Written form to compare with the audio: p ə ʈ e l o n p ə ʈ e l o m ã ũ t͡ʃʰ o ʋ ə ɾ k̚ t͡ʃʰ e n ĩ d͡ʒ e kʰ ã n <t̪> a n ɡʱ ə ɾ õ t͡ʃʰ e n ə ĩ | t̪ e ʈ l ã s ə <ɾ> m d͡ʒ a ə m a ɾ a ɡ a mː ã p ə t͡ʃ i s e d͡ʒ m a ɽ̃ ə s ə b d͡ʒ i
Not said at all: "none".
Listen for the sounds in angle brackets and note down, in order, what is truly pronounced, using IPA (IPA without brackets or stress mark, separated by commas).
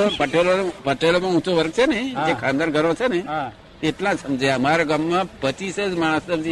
d̪, none